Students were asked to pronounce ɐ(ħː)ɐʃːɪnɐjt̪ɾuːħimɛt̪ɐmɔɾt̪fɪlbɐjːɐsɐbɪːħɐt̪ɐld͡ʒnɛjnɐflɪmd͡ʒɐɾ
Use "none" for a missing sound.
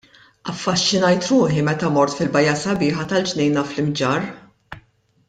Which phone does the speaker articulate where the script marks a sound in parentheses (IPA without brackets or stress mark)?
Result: fː